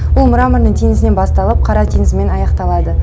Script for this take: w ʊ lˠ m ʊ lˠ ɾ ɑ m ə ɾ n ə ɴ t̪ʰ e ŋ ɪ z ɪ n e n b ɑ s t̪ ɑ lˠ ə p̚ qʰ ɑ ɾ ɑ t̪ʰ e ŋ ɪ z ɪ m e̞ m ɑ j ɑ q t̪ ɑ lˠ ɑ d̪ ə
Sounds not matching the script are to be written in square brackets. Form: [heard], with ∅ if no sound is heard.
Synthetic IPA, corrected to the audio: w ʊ lˠ m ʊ [∅] ɾ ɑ m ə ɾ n ə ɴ t̪ʰ e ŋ ɪ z ɪ n e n b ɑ s t̪ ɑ lˠ ə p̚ qʰ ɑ ɾ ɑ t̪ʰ e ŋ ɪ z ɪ m e̞ [n] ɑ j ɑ q t̪ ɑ lˠ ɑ d̪ ə